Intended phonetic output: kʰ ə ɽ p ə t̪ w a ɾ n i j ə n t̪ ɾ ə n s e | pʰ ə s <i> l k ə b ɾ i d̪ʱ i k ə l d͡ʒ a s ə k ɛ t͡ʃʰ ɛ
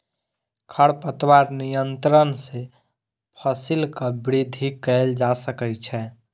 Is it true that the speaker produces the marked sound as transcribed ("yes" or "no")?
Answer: yes